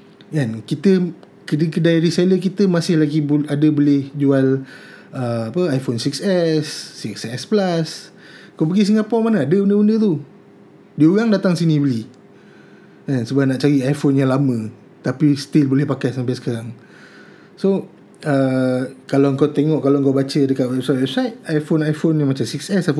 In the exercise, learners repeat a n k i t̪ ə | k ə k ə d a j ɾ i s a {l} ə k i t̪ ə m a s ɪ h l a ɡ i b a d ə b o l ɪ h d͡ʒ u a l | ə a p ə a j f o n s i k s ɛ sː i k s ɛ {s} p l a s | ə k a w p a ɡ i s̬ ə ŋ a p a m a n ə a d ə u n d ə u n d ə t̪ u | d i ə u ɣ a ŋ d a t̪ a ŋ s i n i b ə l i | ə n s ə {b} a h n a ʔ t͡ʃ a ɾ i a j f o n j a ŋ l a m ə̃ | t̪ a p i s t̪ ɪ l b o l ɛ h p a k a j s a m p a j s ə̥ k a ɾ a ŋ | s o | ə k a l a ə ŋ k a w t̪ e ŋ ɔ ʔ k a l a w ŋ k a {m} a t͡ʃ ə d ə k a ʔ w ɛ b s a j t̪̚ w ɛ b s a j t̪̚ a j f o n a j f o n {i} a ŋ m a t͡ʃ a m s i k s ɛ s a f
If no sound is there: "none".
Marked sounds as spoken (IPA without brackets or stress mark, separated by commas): l, s, b, b, j